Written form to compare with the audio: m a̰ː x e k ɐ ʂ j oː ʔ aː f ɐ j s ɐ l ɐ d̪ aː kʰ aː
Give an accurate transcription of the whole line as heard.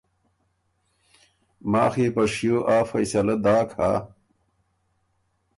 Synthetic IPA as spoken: m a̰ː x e p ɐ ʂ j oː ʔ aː f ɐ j s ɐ l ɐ d̪ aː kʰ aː